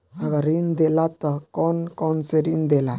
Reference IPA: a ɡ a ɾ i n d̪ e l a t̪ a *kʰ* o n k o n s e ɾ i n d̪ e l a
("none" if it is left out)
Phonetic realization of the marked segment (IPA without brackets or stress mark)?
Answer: k